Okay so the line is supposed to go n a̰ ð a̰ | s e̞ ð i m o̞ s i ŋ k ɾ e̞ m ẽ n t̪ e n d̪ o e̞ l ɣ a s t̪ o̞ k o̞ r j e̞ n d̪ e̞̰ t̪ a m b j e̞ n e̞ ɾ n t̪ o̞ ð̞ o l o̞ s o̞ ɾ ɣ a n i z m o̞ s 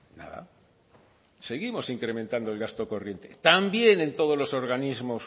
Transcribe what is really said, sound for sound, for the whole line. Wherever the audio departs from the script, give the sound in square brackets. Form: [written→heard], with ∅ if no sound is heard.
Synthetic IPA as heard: n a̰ ð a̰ | s e̞ [ð→ɣ] i m o̞ s i ŋ k ɾ e̞ m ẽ n t̪ [e→a] n d̪ o e̞ l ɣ a s t̪ o̞ k o̞ r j e̞ n [d̪→t̪] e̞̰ t̪ a m b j e̞ n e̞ [ɾ→∅] n t̪ o̞ ð̞ o l o̞ s o̞ ɾ ɣ a n i z m o̞ s